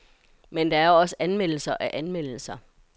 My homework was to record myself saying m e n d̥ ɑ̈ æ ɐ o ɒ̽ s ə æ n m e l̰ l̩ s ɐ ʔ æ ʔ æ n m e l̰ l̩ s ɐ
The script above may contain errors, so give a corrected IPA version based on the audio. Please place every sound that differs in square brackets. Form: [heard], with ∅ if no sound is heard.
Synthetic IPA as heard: m e n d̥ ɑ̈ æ ɐ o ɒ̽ s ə æ n m e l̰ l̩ s ɐ ʔ æ ʔ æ n m e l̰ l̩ s ɐ